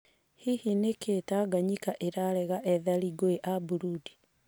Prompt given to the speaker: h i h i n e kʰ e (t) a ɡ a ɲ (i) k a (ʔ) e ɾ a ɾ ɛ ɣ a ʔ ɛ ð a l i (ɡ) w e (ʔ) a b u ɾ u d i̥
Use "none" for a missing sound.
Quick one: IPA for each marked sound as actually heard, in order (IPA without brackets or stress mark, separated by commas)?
t, i, ʔ, ɡ, ʔ